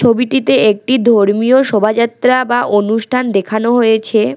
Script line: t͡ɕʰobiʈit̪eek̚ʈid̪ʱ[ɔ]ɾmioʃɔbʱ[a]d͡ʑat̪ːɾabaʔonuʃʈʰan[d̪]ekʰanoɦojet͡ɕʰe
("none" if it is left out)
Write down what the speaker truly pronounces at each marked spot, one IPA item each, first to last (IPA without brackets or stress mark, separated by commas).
o, a, d̪